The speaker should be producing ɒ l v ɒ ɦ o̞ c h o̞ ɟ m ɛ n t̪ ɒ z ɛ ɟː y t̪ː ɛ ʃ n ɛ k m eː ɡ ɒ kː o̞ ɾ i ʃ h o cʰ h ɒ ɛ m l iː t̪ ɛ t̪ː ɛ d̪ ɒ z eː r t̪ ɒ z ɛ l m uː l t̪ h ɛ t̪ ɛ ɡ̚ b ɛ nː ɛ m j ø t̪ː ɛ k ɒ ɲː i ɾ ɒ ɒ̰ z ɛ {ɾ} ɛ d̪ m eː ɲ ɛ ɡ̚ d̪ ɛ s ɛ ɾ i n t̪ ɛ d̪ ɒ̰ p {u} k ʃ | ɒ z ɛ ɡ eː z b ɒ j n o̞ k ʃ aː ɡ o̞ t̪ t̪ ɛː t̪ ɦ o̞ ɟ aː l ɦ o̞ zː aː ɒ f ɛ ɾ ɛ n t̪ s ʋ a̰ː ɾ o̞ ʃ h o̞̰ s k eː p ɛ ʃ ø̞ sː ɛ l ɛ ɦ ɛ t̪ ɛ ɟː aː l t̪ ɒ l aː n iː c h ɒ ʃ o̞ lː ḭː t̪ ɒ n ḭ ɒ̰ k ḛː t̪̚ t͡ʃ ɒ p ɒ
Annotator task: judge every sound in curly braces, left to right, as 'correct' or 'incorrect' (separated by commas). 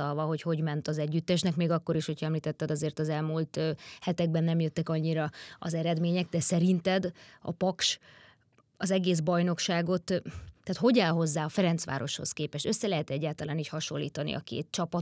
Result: correct, incorrect